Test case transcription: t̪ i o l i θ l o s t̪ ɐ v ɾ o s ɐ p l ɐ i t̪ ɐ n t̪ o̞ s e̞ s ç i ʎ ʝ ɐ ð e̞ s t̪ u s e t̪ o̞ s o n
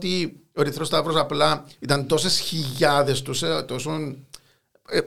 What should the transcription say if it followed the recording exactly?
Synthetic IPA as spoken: t̪ i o ɾ i θ ɾ o s t̪ ɐ v ɾ o s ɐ p l ɐ i t̪ ɐ n t̪ o̞ s e̞ s ç i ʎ ʝ ɐ ð e̞ s t̪ u s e t̪ o̞ s o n